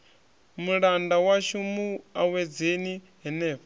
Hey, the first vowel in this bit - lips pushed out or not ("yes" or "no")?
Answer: yes